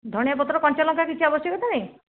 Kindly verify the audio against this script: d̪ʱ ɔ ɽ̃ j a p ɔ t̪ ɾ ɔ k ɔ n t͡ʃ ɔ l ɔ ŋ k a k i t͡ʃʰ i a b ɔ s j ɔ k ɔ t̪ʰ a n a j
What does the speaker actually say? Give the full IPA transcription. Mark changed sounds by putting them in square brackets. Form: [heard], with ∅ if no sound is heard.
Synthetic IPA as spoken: d̪ʱ ɔ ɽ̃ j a p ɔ t̪ ɾ ɔ k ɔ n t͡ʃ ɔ l ɔ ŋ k a k i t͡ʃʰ i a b ɔ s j ɔ k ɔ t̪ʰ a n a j

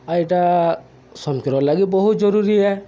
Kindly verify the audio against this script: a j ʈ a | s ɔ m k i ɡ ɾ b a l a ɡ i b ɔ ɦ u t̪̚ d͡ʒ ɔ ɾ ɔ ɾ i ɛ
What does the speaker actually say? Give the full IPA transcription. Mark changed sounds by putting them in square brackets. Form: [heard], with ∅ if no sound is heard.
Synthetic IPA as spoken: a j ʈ a | s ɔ m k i [∅] ɾ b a l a ɡ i b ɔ ɦ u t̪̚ d͡ʒ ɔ ɾ [u] ɾ i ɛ

